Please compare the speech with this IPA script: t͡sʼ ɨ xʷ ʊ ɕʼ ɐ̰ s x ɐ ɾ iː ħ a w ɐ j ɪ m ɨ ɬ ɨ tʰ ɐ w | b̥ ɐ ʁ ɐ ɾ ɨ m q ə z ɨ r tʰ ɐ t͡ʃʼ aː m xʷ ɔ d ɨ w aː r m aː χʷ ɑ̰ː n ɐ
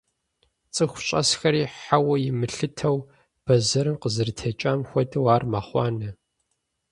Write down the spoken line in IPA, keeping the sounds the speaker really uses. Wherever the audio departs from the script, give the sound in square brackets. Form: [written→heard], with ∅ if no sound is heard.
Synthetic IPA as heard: t͡sʼ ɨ xʷ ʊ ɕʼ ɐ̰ s x ɐ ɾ iː ħ a w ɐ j ɪ m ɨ ɬ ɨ tʰ ɐ w | b̥ ɐ [ʁ→z] ɐ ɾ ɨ m q ə z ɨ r tʰ ɐ t͡ʃʼ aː m xʷ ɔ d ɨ w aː r m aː χʷ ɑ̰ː n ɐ